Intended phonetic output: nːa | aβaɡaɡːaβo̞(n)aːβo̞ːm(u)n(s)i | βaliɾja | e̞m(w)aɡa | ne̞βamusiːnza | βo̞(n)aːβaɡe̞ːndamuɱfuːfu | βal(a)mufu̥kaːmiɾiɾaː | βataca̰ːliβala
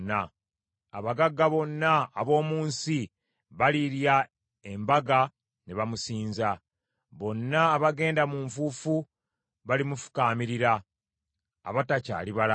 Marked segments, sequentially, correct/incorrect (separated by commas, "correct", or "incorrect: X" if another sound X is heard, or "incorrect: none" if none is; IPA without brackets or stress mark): incorrect: nː, incorrect: uː, correct, incorrect: b, incorrect: nː, incorrect: i